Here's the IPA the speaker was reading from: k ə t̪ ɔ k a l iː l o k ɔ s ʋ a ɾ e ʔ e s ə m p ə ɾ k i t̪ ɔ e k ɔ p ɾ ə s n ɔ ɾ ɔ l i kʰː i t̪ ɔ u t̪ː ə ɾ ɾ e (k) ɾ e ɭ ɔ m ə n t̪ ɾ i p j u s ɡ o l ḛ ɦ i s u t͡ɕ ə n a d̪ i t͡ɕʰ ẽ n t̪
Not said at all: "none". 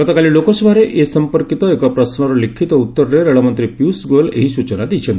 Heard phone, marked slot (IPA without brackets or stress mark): none